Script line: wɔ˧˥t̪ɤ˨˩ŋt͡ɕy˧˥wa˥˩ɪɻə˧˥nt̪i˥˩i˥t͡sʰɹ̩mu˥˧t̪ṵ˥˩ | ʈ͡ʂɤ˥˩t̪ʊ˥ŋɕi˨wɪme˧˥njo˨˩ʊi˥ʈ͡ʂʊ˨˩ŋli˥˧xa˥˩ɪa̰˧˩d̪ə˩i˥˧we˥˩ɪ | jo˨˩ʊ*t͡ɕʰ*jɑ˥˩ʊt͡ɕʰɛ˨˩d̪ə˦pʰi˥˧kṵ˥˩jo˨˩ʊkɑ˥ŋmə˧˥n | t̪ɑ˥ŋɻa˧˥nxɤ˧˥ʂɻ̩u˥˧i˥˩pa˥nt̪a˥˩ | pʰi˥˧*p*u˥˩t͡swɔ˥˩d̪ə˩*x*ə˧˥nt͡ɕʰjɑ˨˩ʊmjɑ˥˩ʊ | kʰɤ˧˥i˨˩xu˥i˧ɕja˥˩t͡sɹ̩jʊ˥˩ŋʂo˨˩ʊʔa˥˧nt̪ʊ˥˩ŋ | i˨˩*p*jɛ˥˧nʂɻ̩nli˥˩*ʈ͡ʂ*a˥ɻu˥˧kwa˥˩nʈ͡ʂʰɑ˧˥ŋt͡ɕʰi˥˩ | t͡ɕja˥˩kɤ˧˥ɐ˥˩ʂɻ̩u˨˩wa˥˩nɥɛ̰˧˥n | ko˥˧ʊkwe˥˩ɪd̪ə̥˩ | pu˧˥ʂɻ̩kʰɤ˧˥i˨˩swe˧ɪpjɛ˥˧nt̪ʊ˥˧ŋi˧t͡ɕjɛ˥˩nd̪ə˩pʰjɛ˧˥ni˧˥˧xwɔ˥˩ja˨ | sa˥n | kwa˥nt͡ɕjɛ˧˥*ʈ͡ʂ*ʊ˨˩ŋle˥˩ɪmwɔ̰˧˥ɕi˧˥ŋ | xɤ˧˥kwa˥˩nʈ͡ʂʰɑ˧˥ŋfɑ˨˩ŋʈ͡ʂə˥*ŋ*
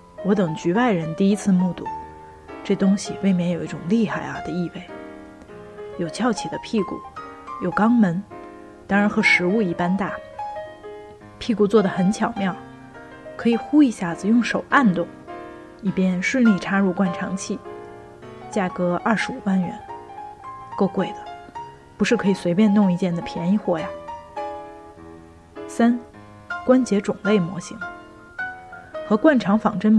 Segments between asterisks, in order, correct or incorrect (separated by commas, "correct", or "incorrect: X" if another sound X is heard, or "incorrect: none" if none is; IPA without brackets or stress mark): correct, incorrect: k, correct, correct, incorrect: ʈ͡ʂʰ, correct, incorrect: n